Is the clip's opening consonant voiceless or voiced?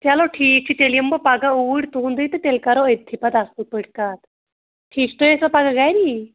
voiceless